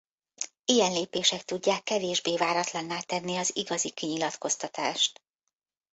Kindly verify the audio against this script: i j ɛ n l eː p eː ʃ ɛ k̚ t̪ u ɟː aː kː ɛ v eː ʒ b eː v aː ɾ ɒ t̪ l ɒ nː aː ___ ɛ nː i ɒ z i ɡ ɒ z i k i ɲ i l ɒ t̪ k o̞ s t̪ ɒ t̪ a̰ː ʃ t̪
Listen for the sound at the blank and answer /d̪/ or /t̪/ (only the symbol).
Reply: t̪